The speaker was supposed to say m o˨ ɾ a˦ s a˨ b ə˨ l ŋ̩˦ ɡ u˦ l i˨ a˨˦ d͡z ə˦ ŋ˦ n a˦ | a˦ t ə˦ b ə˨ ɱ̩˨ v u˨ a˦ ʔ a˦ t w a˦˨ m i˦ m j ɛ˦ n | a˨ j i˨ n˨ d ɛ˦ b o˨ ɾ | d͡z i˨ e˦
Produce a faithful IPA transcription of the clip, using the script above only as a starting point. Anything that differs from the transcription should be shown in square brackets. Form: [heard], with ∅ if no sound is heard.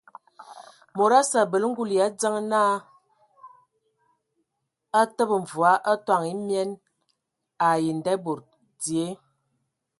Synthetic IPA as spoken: m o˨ ɾ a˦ s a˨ b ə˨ l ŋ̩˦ ɡ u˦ l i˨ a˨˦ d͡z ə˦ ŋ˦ n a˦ | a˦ t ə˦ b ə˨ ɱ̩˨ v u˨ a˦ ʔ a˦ t w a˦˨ [ŋ] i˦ m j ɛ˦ n | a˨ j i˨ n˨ d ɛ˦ b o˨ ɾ | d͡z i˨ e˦